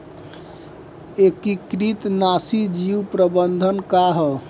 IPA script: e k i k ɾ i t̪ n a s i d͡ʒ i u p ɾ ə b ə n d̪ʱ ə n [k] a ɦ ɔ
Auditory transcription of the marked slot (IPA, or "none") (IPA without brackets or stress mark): k